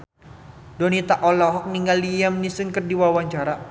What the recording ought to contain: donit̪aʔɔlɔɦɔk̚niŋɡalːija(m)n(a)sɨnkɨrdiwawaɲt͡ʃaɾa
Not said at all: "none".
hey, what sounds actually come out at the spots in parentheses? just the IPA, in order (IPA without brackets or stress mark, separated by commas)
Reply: m, i